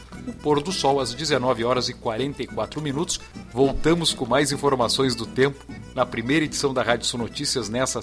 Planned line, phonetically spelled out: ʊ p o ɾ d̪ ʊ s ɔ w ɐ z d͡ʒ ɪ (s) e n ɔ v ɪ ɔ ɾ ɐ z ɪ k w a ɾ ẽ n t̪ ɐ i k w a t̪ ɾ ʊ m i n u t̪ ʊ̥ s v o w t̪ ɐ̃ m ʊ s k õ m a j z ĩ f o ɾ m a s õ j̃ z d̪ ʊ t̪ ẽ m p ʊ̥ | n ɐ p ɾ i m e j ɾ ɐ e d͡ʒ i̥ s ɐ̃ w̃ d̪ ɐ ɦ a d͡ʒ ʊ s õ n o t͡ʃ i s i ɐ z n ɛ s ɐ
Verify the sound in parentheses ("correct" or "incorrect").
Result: incorrect